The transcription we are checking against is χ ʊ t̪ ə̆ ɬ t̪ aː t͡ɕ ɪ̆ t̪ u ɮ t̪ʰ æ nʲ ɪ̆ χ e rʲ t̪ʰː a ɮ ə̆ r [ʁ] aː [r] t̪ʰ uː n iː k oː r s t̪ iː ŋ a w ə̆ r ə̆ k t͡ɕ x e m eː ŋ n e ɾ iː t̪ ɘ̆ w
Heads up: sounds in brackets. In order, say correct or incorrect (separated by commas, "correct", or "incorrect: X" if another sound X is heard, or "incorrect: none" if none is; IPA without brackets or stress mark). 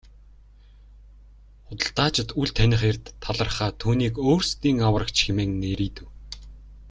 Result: incorrect: χ, incorrect: none